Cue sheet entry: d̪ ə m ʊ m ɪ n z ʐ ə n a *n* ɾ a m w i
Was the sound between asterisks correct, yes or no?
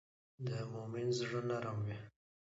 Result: no